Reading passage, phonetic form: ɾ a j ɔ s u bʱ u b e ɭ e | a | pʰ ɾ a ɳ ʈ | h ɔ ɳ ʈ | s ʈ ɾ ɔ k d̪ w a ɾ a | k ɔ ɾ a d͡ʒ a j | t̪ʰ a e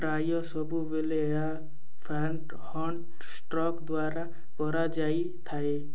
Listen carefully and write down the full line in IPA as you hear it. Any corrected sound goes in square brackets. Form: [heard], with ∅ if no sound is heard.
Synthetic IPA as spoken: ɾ a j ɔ s [ɔ] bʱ u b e [l] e | a | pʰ ɾ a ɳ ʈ | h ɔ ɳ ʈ | s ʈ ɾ ɔ k d̪ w a ɾ a | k ɔ ɾ a d͡ʒ a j | t̪ʰ a e